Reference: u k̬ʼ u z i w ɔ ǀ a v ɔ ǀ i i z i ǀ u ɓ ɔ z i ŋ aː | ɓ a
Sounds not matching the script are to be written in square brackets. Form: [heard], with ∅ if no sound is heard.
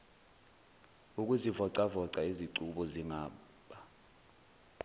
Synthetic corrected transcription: u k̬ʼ u z i [v] ɔ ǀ a v ɔ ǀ [a] i z i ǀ u ɓ ɔ z i ŋ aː | ɓ a